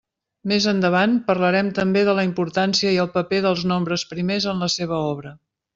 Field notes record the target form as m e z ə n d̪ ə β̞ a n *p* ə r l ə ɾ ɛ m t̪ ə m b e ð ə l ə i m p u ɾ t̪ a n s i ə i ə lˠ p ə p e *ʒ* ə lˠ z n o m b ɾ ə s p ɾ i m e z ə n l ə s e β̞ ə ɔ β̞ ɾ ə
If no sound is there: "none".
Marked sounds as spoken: p, ð

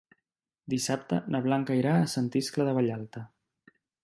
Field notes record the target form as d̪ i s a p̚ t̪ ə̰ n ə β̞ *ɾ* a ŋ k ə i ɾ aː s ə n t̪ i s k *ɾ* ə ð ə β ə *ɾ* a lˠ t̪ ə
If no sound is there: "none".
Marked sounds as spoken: l, l, ʎ

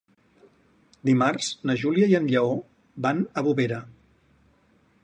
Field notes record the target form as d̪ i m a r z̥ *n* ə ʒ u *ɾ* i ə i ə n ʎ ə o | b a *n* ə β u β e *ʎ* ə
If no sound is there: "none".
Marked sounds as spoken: n, l, n, ɾ

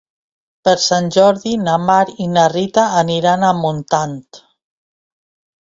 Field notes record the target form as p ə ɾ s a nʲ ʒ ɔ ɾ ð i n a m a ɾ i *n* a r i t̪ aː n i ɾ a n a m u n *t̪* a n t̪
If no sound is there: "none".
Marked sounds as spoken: n, t̪

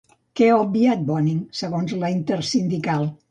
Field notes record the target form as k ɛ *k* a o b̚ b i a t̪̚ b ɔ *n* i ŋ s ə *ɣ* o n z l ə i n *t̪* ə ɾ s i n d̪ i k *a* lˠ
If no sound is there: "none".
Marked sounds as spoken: none, n, ɣ, t̪, a

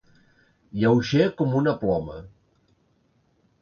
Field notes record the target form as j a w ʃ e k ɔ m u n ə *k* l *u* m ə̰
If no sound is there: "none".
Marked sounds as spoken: p, ɔ

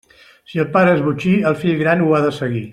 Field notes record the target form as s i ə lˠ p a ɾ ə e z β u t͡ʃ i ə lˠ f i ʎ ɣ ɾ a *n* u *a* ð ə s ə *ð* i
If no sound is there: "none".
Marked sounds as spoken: n, a, ɣ

